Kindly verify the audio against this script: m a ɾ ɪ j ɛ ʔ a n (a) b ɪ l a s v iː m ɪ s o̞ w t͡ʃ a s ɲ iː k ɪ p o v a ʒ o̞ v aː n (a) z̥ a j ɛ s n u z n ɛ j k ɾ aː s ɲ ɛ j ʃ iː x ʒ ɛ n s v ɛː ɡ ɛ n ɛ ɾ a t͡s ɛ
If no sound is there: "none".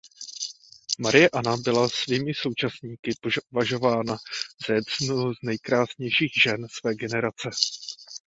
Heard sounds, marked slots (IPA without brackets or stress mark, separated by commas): a, a